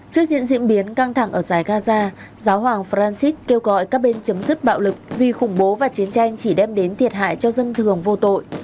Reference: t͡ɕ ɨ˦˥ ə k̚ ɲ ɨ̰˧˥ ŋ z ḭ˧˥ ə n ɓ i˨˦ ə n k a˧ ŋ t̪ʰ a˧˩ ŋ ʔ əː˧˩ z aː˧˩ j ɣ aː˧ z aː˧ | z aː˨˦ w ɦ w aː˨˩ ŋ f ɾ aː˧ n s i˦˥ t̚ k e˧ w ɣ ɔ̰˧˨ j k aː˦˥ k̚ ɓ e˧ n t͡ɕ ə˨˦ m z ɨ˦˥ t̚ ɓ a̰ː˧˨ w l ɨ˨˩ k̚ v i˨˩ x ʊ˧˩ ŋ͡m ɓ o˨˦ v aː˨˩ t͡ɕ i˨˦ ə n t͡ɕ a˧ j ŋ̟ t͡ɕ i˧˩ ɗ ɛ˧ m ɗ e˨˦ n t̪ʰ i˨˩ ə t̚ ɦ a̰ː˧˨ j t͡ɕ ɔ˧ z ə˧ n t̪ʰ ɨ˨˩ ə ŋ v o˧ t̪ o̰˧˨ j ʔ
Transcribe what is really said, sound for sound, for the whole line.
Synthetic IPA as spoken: t͡ɕ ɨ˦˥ ə k̚ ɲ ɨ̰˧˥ ŋ z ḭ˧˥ ə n ɓ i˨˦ ə n k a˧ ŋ t̪ʰ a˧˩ ŋ ʔ əː˧˩ z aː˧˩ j ɣ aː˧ z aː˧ | z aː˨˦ w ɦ w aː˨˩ ŋ f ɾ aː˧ n s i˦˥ t̚ k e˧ w ɣ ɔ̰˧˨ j k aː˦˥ k̚ ɓ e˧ n t͡ɕ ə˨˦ m z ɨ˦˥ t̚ ɓ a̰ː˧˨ w l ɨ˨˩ k̚ v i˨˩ x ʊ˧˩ ŋ͡m ɓ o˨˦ v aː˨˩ t͡ɕ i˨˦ ə n t͡ɕ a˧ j ŋ̟ t͡ɕ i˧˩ ɗ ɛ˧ m ɗ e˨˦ n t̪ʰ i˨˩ ə t̚ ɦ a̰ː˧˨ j t͡ɕ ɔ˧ z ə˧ n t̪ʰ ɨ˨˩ ə ŋ v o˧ t̪ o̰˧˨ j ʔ